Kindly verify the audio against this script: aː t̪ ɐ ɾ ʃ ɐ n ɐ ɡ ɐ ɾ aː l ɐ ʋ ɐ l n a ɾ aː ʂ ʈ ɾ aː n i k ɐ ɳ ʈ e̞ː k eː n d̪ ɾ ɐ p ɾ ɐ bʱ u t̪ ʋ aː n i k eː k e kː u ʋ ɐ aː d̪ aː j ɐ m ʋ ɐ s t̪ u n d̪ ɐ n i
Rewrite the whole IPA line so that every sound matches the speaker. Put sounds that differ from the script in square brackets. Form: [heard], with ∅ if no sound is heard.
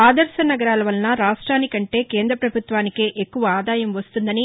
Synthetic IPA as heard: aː [d̪] ɐ ɾ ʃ ɐ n ɐ ɡ ɐ ɾ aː l ɐ ʋ ɐ l n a ɾ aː ʂ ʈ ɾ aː n i k ɐ ɳ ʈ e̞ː k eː n d̪ ɾ ɐ p ɾ ɐ bʱ u t̪ ʋ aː n i k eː [ʔ] e kː u ʋ ɐ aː d̪ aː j ɐ m ʋ ɐ s t̪ u n d̪ ɐ n i